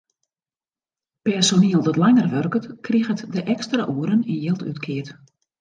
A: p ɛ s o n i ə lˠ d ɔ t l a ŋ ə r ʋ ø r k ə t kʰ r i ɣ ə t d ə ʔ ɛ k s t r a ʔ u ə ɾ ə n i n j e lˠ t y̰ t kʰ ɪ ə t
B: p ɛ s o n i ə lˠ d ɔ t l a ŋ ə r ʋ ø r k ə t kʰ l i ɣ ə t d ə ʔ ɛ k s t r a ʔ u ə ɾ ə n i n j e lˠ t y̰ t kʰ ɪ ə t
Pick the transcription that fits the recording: A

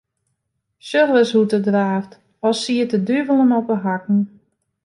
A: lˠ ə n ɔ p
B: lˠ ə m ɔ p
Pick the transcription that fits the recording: A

